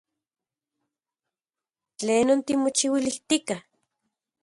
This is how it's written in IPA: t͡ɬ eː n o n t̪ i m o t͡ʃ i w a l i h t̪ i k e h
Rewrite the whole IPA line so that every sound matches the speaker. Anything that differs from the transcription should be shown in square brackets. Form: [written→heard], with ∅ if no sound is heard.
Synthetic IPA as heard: t͡ɬ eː n o n t̪ i m o t͡ʃ i w [a→i] l i h t̪ i k [e→a] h